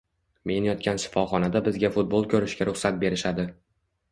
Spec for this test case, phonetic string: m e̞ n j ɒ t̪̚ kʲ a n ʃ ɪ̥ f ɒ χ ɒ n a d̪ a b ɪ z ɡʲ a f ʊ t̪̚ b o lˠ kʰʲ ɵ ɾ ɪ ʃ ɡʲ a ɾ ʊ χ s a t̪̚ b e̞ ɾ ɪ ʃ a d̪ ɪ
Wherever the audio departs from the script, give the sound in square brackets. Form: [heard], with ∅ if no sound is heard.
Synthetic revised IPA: m e̞ n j ɒ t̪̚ kʲ a n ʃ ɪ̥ f ɒ χ ɒ n a d̪ a b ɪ z ɡʲ a f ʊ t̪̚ b o lˠ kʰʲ ɵ ɾ ɪ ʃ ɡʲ a ɾ ʊ χ s a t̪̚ b e̞ ɾ ɪ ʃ a d̪ ɪ